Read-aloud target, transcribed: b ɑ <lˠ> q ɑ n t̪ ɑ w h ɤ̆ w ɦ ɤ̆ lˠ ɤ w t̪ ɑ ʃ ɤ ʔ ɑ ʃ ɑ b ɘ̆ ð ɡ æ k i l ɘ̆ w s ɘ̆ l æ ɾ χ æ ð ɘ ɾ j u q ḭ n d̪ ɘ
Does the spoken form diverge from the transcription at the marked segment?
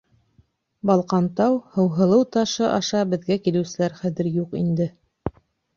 no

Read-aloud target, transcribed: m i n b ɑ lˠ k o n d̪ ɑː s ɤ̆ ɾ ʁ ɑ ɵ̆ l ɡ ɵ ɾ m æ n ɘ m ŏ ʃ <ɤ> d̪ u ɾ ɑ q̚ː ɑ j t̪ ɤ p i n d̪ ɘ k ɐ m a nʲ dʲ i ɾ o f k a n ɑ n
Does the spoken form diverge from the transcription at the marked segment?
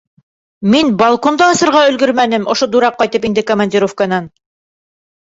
yes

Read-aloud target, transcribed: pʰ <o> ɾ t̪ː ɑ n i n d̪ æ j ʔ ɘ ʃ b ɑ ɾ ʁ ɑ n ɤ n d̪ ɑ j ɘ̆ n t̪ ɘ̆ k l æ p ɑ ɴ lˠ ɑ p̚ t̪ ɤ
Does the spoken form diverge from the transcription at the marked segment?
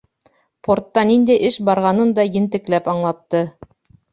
no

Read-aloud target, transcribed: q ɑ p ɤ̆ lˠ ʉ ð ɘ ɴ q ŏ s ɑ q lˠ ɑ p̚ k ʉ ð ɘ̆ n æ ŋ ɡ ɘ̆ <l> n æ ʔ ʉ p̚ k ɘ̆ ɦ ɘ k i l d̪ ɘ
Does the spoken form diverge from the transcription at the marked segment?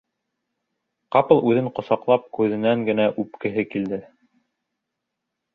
yes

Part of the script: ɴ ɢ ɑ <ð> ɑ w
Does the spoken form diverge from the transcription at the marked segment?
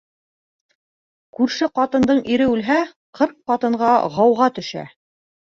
yes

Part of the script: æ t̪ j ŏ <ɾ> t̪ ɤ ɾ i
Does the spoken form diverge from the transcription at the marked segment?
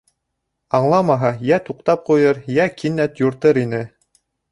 no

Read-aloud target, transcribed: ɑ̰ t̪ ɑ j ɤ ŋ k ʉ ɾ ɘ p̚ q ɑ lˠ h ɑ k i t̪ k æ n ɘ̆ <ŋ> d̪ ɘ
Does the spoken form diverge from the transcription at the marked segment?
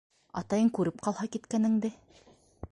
no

